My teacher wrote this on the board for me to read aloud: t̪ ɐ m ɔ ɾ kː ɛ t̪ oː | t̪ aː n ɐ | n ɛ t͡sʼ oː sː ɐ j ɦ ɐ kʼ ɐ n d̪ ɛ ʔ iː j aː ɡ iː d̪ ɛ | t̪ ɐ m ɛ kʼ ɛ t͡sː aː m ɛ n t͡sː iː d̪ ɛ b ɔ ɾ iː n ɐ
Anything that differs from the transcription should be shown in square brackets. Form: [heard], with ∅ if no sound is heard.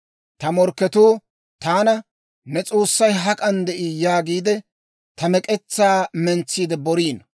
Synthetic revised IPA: t̪ ɐ m ɔ ɾ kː ɛ t̪ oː | t̪ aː n ɐ | n ɛ t͡sʼ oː sː ɐ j ɦ ɐ kʼ ɐ n d̪ ɛ ʔ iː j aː ɡ iː d̪ ɛ | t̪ ɐ m ɛ kʼ ɛ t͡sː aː m ɛ n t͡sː iː d̪ ɛ b ɔ ɾ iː n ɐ